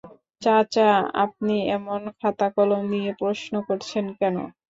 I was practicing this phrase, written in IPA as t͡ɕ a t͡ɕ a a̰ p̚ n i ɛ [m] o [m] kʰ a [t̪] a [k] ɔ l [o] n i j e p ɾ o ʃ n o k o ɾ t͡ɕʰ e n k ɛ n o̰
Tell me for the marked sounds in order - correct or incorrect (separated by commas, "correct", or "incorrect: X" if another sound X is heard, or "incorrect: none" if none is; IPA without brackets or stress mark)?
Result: correct, incorrect: n, correct, correct, correct